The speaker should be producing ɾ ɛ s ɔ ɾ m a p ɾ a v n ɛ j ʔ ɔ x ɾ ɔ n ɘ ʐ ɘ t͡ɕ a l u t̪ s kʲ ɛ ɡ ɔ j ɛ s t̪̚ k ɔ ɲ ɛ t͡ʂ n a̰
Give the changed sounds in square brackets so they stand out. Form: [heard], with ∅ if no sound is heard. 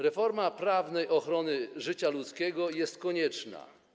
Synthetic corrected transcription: ɾ ɛ [f] ɔ ɾ m a p ɾ a v n ɛ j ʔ ɔ x ɾ ɔ n ɘ ʐ ɘ t͡ɕ a l u t̪ s kʲ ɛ ɡ ɔ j ɛ s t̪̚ k ɔ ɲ ɛ t͡ʂ n a̰